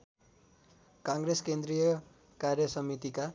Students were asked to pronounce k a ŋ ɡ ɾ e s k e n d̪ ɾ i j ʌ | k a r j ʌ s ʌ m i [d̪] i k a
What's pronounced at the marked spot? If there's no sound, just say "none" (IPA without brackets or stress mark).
t̪